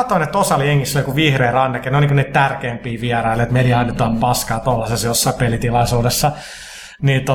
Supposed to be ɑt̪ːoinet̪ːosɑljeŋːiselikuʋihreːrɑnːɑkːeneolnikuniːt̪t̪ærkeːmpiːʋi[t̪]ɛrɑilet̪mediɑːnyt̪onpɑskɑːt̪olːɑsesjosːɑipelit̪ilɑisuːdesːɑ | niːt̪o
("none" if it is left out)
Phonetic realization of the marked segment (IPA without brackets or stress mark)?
none